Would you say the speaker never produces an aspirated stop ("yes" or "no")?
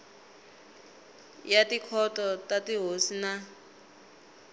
no